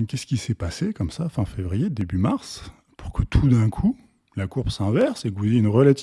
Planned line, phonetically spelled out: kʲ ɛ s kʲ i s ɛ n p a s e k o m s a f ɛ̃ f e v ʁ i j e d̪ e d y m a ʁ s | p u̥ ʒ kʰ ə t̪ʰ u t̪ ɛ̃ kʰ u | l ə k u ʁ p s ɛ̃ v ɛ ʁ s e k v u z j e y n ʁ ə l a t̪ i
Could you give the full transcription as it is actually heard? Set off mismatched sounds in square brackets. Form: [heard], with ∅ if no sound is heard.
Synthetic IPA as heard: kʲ ɛ s kʲ i s ɛ [∅] p a s e k [ɔ] m s a f ɛ̃ f e v ʁ i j e d̪ e [b] y m a ʁ s | p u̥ [ʁ] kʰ ə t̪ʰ u [d̪] ɛ̃ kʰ u | l [a] k u ʁ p s ɛ̃ v ɛ ʁ s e k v u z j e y n ʁ ə l a t̪ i

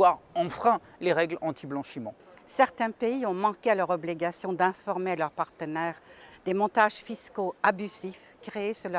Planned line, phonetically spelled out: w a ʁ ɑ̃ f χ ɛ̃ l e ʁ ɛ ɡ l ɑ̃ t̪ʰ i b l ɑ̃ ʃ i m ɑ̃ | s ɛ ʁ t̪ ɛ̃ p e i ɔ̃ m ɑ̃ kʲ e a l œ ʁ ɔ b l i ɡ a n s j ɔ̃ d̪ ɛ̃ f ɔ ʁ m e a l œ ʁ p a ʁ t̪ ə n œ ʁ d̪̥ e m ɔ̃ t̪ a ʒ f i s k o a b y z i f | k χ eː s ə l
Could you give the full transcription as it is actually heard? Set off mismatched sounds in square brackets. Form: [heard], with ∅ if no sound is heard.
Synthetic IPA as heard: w a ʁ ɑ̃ f χ ɛ̃ l e ʁ ɛ ɡ l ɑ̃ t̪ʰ i b l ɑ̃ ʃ i m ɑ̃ | s ɛ ʁ t̪ ɛ̃ p e i ɔ̃ m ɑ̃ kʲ e a l œ ʁ ɔ b l i ɡ a [∅] s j ɔ̃ d̪ ɛ̃ f ɔ ʁ m e a l œ ʁ p a ʁ t̪ ə n [ɛ] ʁ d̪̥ e m ɔ̃ t̪ a ʒ f i s k o a b y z i f | k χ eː s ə l

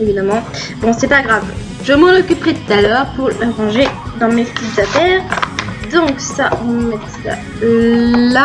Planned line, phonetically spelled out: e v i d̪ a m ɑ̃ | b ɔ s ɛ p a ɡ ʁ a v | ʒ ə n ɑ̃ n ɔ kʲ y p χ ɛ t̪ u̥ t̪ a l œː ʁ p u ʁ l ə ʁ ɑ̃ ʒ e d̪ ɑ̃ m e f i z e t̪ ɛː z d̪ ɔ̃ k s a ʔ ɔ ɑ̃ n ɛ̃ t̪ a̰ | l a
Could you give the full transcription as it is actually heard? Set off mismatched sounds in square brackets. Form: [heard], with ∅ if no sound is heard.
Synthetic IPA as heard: e v i d̪ a m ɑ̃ | b [ɔ̃] s ɛ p a ɡ ʁ a v | ʒ ə [m] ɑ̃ n ɔ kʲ y p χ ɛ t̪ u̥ t̪ a l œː ʁ p u ʁ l ə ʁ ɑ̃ ʒ e d̪ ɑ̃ m e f i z [a] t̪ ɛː [ʁ] d̪ ɔ̃ k s a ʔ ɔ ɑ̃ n [ɛ] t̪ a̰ | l a

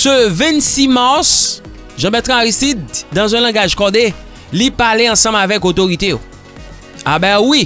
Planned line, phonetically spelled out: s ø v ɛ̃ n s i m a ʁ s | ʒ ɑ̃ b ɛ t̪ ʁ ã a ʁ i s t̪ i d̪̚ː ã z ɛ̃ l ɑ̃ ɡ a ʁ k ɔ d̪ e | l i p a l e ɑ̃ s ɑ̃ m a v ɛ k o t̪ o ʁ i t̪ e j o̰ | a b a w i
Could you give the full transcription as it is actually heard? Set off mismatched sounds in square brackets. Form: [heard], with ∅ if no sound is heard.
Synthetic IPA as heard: s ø v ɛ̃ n s i m a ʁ s | ʒ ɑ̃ b ɛ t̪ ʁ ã a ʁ i s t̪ i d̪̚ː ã z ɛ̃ l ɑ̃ ɡ a [ʒ] k ɔ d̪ e | l i p a l e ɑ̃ s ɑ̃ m a v ɛ k o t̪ o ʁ i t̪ e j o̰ | a b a w i

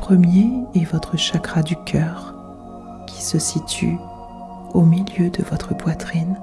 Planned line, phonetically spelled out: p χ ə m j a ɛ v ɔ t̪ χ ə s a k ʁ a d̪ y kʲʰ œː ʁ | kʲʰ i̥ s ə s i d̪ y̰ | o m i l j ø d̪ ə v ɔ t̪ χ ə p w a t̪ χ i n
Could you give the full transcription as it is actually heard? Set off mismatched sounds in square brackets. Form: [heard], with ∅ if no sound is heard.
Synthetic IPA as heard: p χ ə m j [e] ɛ v ɔ t̪ χ ə [ʃ] a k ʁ a d̪ y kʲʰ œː ʁ | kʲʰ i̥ s ə s i [t̪] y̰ | o m i l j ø d̪ ə v ɔ t̪ χ ə p w a t̪ χ i n

